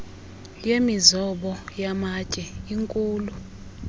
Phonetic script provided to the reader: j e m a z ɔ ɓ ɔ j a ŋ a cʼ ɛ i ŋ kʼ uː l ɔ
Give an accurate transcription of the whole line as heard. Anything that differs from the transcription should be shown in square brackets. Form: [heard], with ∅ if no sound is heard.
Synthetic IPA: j e m [i] z ɔ ɓ ɔ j a [m] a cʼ ɛ i ŋ kʼ uː l [u]